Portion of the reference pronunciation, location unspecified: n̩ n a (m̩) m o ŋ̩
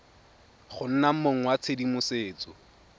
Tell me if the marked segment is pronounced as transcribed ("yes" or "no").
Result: yes